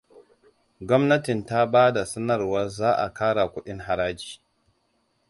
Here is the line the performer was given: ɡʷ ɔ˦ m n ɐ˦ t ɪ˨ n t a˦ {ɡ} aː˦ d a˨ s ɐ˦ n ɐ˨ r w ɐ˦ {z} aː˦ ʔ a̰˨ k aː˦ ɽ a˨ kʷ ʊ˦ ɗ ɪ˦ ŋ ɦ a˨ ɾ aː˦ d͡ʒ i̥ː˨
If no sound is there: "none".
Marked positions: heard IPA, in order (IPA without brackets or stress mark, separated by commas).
b, z